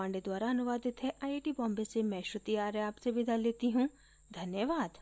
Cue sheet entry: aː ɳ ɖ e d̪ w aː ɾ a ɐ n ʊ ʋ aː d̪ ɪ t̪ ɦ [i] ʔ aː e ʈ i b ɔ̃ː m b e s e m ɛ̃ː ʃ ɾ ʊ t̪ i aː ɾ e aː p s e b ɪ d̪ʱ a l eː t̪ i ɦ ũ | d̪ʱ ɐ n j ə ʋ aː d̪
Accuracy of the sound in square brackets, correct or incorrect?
incorrect